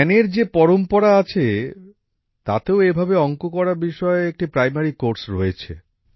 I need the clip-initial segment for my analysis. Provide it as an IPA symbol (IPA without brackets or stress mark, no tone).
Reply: n